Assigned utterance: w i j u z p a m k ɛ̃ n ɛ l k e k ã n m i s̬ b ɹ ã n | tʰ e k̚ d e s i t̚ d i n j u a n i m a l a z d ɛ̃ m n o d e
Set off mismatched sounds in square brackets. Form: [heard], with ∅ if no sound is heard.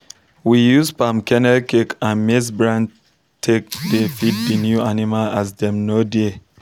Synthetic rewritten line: w i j u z p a m k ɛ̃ n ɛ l k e k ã n m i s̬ b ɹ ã n | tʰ e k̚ d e [f] i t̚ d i n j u a n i m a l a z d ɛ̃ m n o d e